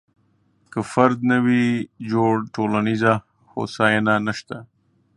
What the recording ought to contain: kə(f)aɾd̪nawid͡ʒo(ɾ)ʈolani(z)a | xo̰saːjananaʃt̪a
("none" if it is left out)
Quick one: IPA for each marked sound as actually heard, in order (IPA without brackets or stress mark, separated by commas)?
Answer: f, ɽ, z